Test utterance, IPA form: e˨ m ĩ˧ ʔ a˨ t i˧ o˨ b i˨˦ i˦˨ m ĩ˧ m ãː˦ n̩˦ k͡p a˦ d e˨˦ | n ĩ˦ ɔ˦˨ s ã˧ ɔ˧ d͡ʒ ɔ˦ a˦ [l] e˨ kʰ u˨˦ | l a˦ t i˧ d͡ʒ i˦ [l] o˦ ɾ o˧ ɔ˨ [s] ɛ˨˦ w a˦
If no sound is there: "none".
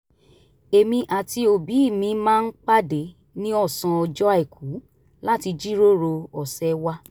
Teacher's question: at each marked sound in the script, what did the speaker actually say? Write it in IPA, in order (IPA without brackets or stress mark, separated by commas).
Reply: none, ɾ, s